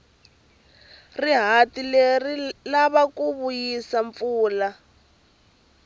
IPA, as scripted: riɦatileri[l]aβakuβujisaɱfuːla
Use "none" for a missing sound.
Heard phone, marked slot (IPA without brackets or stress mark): l